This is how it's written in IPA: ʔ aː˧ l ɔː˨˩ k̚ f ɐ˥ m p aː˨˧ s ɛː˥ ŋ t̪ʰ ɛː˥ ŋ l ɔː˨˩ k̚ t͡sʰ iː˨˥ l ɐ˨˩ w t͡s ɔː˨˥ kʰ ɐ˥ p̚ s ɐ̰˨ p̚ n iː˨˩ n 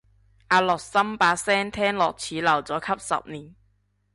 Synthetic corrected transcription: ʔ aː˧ l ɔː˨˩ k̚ s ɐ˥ m p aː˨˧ s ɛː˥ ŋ t̪ʰ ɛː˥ ŋ l ɔː˨˩ k̚ t͡sʰ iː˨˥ l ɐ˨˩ w t͡s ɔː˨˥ kʰ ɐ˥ p̚ s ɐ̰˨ p̚ n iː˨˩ n